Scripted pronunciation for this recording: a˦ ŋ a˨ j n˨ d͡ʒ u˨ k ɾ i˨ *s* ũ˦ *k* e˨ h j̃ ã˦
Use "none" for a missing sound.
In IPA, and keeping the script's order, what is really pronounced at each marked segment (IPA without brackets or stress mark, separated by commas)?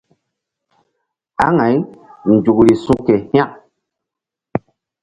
s, k